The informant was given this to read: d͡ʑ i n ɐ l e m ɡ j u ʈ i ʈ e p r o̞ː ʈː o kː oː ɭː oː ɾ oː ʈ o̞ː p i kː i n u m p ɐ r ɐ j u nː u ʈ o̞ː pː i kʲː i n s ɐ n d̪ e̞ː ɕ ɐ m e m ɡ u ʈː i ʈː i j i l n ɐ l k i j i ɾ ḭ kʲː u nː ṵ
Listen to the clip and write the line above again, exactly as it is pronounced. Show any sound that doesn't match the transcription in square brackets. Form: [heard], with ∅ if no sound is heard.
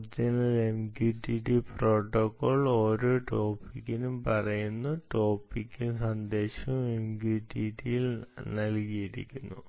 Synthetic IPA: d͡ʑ i n ɐ l e m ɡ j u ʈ i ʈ [i] p r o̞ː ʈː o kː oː [ɭ] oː ɾ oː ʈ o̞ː p i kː i n u m p ɐ r ɐ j u nː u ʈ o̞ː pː i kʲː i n s ɐ n d̪ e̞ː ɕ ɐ m e m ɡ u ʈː i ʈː i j i l n ɐ l k i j i ɾ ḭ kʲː u nː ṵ